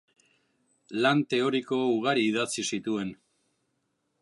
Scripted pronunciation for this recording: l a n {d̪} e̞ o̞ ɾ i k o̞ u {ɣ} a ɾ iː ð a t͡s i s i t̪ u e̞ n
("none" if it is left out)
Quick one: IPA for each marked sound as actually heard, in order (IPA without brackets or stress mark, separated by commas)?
t̪, ɣ